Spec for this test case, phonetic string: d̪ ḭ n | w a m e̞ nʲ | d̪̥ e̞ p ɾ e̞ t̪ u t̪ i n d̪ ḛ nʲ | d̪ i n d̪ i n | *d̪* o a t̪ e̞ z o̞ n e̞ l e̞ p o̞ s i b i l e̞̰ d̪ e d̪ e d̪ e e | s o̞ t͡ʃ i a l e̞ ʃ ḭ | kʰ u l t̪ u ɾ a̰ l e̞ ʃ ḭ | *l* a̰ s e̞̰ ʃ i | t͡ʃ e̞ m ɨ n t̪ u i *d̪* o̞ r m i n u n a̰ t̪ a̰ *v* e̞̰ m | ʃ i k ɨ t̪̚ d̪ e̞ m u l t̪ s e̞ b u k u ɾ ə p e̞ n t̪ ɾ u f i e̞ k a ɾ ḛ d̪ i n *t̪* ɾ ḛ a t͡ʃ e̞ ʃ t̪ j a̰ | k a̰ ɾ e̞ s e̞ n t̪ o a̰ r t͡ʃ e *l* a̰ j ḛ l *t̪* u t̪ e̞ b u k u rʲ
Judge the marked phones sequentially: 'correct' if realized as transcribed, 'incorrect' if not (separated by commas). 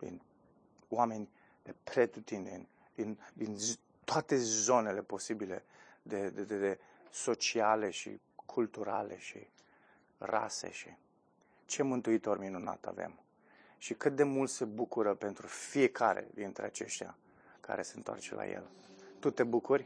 incorrect, incorrect, incorrect, correct, correct, correct, correct